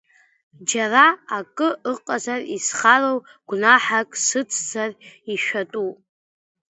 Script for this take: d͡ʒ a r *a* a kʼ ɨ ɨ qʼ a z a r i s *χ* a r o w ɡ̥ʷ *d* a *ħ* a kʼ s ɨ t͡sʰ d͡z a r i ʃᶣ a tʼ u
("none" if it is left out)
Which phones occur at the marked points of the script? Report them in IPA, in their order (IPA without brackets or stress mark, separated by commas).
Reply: a, χ, n, ħ